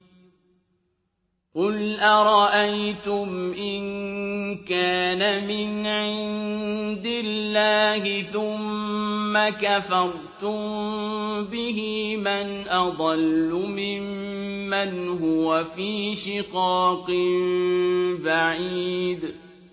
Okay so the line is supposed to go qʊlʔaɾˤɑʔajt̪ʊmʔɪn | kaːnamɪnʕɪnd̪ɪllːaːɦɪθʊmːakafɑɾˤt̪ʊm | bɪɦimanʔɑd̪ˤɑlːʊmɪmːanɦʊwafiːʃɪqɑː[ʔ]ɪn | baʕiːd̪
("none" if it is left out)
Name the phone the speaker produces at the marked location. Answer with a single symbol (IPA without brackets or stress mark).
q